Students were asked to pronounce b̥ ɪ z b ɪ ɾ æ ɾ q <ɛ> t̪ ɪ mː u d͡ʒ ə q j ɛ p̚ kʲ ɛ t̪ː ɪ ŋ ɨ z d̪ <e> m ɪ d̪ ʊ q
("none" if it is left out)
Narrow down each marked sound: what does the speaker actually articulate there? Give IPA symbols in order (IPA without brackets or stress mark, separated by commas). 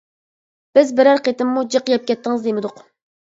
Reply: e, e